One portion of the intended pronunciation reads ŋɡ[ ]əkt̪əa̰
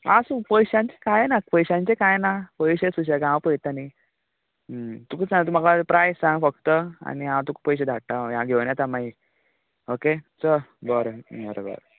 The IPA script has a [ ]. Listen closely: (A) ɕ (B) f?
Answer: B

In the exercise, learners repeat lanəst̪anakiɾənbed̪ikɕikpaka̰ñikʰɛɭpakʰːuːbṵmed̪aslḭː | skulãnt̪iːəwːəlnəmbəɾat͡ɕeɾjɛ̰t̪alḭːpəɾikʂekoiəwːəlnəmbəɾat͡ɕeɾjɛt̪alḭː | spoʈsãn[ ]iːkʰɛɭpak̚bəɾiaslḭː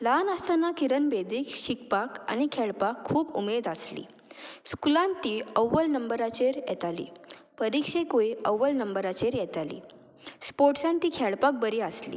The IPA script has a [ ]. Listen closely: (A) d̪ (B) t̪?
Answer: B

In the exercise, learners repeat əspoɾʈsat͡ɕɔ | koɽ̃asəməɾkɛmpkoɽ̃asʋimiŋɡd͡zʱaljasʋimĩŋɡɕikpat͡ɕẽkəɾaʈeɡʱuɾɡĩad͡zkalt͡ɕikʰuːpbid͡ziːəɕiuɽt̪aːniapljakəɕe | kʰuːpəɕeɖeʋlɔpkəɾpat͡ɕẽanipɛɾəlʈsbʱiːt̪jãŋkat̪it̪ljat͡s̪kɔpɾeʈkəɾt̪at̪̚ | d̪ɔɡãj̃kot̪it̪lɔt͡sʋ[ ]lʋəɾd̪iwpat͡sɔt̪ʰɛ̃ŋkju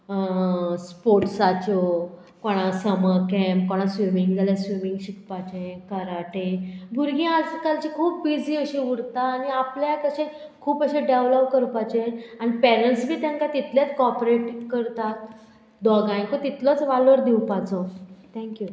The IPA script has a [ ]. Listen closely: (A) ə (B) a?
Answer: B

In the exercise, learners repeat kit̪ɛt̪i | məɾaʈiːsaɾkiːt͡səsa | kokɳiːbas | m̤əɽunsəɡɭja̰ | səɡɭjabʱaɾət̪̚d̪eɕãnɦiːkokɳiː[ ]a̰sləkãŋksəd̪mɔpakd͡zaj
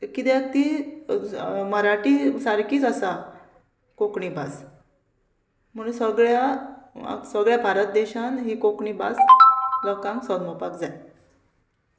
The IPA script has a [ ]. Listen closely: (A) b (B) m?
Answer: A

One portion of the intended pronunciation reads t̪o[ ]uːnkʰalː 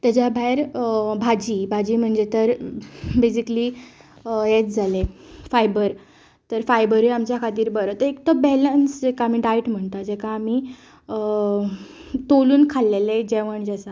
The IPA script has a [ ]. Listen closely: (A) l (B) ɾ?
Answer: A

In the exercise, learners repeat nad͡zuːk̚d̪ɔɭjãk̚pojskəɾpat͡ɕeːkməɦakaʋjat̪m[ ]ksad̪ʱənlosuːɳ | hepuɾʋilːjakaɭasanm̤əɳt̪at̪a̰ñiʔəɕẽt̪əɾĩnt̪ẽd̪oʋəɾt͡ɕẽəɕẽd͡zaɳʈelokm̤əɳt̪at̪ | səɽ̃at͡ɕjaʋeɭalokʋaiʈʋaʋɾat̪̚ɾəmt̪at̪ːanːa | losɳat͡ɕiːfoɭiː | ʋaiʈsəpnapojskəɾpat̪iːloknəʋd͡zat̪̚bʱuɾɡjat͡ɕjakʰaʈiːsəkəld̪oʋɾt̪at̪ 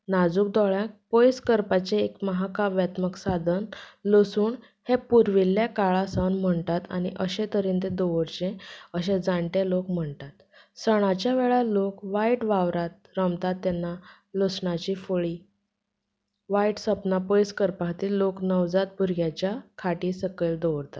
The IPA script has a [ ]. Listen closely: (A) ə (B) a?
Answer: A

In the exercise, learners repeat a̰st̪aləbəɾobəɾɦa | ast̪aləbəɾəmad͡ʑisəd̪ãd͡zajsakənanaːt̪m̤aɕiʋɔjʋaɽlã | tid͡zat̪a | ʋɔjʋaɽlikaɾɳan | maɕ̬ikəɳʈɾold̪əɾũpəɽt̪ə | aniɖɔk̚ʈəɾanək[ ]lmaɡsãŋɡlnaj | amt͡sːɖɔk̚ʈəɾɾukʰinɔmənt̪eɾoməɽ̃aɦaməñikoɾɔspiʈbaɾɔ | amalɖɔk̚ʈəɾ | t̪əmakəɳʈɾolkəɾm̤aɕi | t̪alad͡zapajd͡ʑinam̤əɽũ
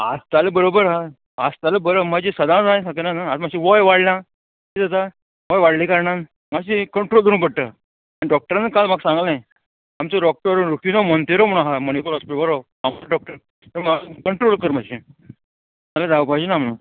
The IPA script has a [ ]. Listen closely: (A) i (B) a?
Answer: B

